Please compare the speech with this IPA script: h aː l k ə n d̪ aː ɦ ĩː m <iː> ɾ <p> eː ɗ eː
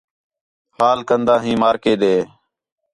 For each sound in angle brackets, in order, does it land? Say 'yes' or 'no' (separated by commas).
no, no